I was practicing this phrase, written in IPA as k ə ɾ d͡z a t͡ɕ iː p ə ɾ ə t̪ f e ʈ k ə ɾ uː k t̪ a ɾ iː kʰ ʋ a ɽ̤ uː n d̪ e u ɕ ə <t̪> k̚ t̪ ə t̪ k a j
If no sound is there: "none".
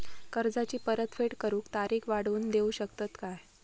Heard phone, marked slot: none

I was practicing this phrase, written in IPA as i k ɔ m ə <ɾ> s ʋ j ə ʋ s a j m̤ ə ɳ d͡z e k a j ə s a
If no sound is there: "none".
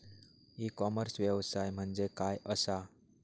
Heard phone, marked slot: ɾ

